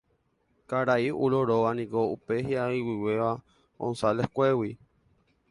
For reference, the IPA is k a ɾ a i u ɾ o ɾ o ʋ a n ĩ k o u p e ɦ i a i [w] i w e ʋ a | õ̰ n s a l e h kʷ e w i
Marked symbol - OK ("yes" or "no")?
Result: yes